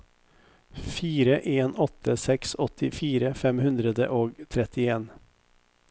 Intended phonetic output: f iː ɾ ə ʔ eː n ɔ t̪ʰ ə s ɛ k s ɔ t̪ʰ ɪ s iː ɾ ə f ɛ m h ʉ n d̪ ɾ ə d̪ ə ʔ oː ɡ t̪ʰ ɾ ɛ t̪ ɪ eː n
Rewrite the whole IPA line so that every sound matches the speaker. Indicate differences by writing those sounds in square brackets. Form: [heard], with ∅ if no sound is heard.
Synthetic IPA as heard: f iː ɾ ə ʔ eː n ɔ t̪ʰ ə s ɛ k s ɔ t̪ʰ ɪ [f] iː ɾ ə f ɛ m h ʉ n d̪ ɾ ə d̪ ə ʔ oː ɡ t̪ʰ ɾ ɛ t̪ ɪ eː n